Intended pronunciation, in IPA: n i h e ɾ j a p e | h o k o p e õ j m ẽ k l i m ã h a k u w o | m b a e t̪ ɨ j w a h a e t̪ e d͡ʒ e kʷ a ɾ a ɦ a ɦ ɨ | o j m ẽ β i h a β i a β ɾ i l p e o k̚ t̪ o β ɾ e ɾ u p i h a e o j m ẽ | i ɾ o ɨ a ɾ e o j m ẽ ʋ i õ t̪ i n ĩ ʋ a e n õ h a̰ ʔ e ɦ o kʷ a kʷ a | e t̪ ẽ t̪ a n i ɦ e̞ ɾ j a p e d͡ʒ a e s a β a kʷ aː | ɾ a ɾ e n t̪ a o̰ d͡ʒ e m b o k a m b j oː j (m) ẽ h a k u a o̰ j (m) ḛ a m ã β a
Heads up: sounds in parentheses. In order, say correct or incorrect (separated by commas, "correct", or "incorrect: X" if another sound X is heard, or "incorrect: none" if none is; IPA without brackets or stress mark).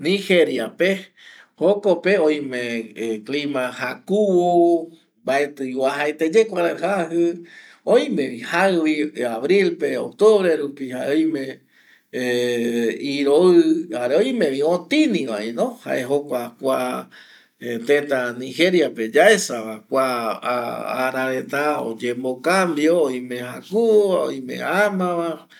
correct, correct